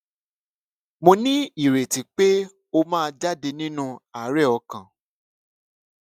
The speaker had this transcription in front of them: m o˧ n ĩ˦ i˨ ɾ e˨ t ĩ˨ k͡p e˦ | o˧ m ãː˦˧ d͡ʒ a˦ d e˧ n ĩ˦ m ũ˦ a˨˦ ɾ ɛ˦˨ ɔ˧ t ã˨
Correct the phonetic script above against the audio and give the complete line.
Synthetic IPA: m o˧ n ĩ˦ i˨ ɾ e˨ t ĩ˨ k͡p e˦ | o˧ m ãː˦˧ d͡ʒ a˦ d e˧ n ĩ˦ n ũ˦ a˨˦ ɾ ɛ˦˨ ɔ˧ k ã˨